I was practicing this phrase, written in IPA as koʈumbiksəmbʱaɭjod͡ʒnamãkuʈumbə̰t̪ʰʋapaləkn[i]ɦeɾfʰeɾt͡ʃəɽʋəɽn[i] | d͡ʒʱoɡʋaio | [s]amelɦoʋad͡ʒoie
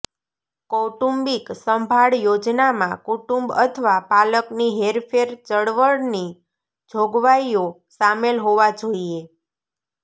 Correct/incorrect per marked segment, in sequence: correct, correct, correct

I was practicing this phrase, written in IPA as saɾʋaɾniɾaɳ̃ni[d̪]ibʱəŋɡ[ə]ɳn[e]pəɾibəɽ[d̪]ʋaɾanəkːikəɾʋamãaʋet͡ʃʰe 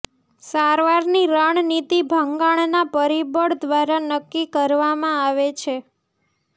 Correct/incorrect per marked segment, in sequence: incorrect: t̪, incorrect: a, incorrect: a, correct

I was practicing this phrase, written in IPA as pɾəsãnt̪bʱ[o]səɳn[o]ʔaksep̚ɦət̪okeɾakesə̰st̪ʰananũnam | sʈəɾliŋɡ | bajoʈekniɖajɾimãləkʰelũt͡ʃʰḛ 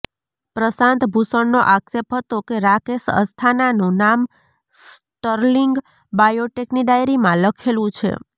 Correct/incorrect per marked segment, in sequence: incorrect: u, correct

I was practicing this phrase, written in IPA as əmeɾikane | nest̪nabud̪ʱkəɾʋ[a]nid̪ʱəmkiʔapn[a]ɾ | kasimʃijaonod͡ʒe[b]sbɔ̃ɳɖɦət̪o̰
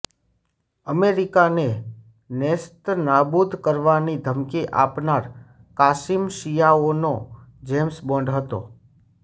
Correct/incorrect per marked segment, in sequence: correct, correct, incorrect: m

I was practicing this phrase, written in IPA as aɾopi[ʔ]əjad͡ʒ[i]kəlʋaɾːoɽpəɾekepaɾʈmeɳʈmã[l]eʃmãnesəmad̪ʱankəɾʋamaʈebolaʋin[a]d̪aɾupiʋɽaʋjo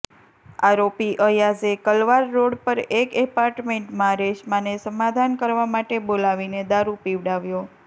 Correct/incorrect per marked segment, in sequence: correct, incorrect: e, incorrect: ɾ, incorrect: e

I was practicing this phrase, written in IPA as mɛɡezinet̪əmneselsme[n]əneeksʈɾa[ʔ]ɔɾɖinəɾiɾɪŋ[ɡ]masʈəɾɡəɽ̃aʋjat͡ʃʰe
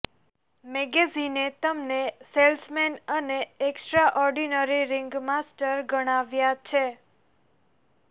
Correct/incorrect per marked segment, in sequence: correct, correct, correct

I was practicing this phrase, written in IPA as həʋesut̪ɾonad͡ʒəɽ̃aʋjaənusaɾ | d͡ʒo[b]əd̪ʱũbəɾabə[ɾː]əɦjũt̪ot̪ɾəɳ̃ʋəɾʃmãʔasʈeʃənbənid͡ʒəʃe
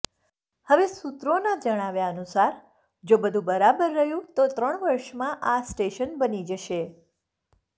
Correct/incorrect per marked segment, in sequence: correct, correct

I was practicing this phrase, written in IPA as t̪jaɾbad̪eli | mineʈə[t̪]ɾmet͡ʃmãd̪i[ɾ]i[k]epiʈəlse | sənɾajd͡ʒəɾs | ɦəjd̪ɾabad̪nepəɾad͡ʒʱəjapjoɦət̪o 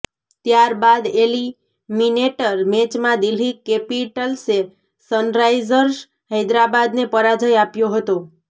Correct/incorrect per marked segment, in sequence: incorrect: none, incorrect: l, correct

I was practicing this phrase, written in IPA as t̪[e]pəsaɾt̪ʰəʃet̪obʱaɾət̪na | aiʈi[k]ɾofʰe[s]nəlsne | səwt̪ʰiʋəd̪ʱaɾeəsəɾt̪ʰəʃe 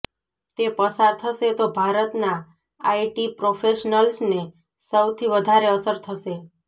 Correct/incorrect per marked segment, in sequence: correct, incorrect: p, incorrect: ʃ

